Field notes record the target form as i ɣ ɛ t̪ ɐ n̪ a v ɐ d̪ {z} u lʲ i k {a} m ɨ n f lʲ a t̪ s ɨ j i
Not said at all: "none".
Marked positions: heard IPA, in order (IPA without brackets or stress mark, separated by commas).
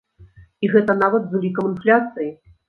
z, ɐ